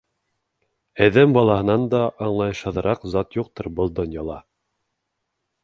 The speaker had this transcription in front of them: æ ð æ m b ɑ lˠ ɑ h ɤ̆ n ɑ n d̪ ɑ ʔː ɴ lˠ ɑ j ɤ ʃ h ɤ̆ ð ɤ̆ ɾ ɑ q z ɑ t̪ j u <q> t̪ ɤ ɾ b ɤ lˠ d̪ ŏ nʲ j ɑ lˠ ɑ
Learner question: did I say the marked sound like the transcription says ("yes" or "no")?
yes